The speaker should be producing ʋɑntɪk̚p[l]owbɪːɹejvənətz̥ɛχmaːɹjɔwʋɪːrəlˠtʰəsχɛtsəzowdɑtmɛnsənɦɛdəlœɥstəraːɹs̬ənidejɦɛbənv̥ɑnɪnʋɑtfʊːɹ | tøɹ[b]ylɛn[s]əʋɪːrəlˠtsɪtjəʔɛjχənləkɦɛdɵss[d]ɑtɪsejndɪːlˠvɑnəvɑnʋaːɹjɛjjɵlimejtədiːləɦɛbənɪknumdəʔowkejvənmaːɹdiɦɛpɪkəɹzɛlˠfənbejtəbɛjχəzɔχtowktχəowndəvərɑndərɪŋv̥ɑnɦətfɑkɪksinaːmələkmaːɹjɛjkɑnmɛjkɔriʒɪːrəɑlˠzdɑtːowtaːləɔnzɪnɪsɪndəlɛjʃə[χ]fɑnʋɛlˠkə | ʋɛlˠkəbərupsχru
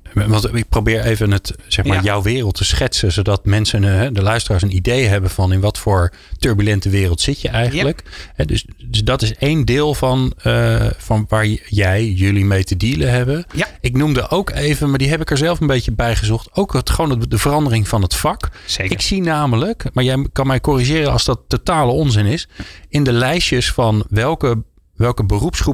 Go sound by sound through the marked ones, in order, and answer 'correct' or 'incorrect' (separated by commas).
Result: incorrect, correct, incorrect, correct, incorrect